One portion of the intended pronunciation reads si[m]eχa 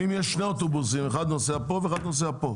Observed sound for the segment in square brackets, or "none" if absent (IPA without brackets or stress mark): m